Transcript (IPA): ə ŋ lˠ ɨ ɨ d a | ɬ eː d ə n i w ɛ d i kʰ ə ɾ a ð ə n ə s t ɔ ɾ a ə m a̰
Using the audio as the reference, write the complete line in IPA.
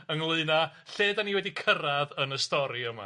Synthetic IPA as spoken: ə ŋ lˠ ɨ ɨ n a | ɬ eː d a n i w ɛ d i kʰ ə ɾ a ð ə n ə s t ɔ ɾ i ə m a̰